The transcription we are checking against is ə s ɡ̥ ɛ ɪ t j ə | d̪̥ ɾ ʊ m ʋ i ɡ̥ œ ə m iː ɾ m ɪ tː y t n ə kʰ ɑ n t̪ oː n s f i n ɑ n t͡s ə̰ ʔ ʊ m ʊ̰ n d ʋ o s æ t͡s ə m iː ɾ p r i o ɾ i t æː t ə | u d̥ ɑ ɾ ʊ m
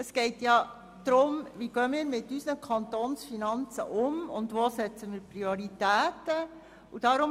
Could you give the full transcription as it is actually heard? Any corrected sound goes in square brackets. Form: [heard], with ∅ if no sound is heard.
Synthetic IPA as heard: ə s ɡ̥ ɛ ɪ t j [ɑ] | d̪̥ ɾ ʊ m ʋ i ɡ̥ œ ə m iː ɾ m ɪ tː y [s] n ə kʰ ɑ n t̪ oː n s f i n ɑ n t͡s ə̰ ʔ ʊ m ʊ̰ n d ʋ o s [ɛ] t͡s ə m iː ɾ p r i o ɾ i t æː t ə | u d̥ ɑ ɾ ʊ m